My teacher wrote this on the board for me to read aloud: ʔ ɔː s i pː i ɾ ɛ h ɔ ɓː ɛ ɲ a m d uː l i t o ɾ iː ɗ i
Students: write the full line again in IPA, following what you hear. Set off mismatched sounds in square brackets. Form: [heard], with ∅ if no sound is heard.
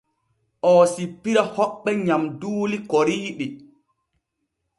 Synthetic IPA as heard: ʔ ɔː s i pː i ɾ [a] h ɔ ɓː ɛ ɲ a m d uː l i [k] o ɾ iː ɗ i